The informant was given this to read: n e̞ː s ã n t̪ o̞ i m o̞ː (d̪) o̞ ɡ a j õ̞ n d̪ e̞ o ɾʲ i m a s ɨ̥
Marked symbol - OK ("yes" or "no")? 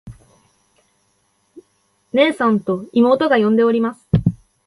no